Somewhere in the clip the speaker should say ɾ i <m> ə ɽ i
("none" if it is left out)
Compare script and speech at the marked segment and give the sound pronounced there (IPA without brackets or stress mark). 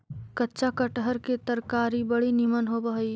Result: b